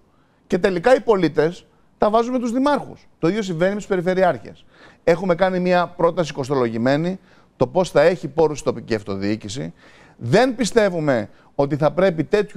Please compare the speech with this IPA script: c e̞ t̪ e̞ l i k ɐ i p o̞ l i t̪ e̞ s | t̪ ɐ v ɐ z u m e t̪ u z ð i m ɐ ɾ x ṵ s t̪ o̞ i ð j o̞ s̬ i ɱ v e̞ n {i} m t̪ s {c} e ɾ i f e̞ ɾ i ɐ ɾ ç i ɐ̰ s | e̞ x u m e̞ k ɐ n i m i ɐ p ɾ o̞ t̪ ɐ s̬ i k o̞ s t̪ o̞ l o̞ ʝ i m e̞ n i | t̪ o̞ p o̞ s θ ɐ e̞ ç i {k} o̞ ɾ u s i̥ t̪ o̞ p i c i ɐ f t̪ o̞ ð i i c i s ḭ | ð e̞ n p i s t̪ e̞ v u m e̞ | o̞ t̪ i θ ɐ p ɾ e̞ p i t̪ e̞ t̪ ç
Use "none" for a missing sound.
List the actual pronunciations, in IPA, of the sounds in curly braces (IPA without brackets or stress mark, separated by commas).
i, p, p